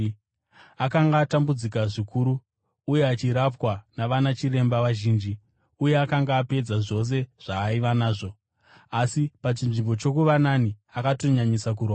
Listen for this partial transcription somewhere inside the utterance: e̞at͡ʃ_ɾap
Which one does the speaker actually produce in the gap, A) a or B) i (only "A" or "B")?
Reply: B